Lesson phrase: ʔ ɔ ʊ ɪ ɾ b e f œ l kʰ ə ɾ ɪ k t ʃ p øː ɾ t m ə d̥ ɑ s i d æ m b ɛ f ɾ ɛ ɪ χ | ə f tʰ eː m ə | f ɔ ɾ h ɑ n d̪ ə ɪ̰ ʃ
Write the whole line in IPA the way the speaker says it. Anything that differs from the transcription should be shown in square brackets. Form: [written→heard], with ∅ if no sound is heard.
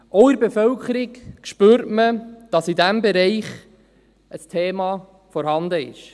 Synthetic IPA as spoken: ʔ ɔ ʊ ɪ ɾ b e f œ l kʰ ə ɾ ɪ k [t→k] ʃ p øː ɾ t m ə d̥ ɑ s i d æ m b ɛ [f→∅] ɾ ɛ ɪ χ | ə [f→s] tʰ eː m [ə→ɑ] | f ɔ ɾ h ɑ n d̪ ə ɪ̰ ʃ

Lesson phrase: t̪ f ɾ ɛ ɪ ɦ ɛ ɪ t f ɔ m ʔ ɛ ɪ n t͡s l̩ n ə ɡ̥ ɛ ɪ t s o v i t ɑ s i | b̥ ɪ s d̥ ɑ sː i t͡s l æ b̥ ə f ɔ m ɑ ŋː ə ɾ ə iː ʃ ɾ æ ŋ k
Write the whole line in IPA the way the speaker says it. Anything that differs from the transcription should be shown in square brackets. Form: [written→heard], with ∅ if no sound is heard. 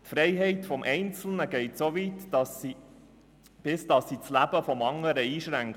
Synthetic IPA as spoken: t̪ f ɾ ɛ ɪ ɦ ɛ ɪ t f ɔ m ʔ ɛ ɪ n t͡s l̩ n ə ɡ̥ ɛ ɪ t s o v i t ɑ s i | b̥ ɪ s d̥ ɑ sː i t͡s l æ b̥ ə f ɔ m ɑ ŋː ə ɾ ə iː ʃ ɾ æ ŋ k

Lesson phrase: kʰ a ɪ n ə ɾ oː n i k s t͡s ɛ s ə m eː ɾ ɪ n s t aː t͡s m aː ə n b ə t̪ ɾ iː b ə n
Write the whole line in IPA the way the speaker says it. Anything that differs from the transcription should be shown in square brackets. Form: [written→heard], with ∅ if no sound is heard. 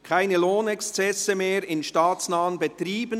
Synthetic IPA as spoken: kʰ a ɪ n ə [ɾ→l] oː n [i→ɛ] k s t͡s ɛ s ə m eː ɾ ɪ n [s→ʃ] t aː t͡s [m→n] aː ə n b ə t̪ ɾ iː b ə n

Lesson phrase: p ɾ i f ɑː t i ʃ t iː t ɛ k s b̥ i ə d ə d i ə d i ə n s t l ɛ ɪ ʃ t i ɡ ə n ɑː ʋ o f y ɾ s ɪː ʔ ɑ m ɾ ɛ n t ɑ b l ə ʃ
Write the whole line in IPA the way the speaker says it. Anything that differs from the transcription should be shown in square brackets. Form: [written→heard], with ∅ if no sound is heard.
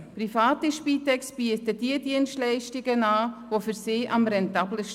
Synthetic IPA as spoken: p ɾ i f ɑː t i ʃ [t→p] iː t ɛ k s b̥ i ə [d→t] ə d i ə d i ə n s t l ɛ ɪ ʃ t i ɡ ə n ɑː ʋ o f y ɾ s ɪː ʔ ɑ m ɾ ɛ n t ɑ b l ə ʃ

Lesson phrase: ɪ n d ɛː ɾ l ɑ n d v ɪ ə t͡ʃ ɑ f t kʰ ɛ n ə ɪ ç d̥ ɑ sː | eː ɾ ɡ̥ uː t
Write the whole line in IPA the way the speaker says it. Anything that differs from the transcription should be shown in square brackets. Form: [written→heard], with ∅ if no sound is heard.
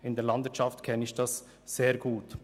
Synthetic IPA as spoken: ɪ n d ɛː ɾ l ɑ n d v ɪ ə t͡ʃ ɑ f t kʰ ɛ n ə ɪ ç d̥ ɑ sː | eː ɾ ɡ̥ uː t

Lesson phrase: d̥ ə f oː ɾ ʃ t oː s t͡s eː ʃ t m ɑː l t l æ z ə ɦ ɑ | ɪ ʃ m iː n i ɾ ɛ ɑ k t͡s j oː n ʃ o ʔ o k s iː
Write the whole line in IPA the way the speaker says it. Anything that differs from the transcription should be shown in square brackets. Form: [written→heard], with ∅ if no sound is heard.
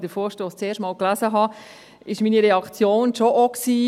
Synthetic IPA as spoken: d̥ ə f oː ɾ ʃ t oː s t͡s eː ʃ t m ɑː l [t→k] l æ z ə ɦ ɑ | ɪ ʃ m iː n i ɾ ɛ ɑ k t͡s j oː n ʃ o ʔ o k s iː

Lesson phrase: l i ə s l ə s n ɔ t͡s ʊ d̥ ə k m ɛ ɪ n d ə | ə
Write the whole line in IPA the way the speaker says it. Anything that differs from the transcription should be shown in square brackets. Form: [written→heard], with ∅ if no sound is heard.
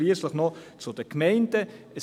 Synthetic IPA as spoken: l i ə s l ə [s→χ] n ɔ t͡s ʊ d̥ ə k m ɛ ɪ n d ə | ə

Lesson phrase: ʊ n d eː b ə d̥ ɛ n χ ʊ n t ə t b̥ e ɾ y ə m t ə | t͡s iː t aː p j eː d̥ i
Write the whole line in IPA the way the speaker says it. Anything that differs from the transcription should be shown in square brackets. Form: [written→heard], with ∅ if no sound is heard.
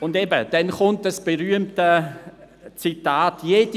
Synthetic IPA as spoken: ʊ n d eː b ə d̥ ɛ n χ ʊ n t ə [t→s] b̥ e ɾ y ə m t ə | t͡s [iː→i] t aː [p→t] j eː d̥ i

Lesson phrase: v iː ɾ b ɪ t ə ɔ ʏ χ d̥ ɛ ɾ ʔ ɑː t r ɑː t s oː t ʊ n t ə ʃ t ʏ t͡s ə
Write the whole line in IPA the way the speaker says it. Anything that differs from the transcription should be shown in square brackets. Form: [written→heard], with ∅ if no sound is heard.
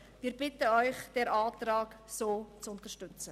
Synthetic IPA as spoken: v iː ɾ b ɪ t ə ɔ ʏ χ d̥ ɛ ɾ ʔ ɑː t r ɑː [t→k] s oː [t→t͡s] ʊ n t ə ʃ t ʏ t͡s ə

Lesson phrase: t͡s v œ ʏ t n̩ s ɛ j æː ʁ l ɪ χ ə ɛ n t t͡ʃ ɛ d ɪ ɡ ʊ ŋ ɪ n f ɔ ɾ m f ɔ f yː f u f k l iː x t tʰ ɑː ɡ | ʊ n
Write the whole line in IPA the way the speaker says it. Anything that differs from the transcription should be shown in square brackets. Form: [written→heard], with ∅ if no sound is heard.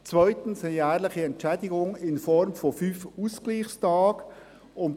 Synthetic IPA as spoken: t͡s v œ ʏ t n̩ s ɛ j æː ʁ l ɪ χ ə ɛ n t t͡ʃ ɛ d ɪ ɡ ʊ ŋ ɪ n f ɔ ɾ m f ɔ f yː f u [f→s] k l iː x [t→s] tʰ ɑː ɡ | ʊ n

